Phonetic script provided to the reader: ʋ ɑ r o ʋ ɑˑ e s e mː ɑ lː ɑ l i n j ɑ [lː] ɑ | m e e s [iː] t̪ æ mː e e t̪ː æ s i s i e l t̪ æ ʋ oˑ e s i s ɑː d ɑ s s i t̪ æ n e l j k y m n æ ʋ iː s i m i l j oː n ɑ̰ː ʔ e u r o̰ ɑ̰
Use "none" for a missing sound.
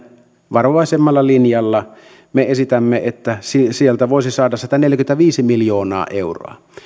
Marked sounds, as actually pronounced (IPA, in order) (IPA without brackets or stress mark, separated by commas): lː, i